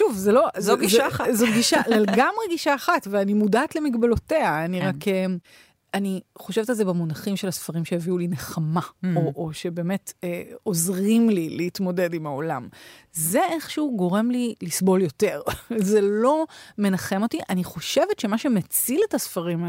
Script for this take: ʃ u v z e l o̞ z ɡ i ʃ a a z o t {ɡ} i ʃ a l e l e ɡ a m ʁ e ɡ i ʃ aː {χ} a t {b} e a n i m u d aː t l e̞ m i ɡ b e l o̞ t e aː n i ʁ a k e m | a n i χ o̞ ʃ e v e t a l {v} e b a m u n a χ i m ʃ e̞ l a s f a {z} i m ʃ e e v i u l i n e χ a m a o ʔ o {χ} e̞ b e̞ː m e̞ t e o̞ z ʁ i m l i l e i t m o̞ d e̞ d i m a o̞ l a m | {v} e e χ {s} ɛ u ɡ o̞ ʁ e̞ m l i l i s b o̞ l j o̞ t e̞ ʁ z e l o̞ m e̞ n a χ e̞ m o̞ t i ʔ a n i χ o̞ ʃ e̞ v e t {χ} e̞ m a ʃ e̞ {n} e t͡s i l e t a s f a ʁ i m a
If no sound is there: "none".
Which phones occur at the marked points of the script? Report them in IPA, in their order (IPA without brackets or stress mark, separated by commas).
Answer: ɡ, χ, v, z, ʁ, ʃ, z, ʃ, ʃ, m